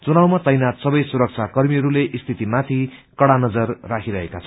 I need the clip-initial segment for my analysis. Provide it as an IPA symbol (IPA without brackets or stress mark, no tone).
t͡s